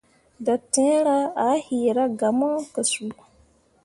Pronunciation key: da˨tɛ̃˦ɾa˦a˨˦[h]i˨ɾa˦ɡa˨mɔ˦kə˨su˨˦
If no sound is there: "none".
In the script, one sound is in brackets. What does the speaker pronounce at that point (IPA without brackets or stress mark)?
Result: h